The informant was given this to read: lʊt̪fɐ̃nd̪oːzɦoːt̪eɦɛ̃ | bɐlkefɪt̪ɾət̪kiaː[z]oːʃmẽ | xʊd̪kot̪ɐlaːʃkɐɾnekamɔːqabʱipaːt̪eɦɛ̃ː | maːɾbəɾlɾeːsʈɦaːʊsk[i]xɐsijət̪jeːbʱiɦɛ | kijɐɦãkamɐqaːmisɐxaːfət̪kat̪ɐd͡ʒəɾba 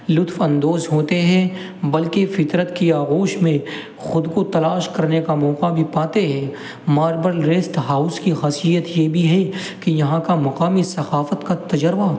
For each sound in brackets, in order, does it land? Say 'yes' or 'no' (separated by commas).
no, yes